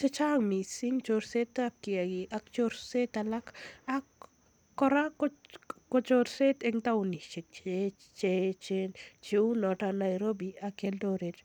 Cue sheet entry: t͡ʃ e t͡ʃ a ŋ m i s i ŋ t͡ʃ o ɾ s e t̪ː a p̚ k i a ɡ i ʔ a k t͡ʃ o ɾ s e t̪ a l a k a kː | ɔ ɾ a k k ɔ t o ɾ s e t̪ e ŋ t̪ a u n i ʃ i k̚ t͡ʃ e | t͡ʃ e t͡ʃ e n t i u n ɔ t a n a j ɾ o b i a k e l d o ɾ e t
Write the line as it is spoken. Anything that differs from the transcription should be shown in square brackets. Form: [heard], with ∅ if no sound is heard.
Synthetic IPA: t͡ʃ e t͡ʃ a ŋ m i s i ŋ t͡ʃ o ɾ s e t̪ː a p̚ k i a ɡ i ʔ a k t͡ʃ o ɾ s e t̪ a l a k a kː | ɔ ɾ a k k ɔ [t͡ʃ] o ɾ s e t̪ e ŋ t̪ a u n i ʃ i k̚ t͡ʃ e | t͡ʃ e t͡ʃ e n [t͡ʃ] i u n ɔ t a n a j ɾ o b i a k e l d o ɾ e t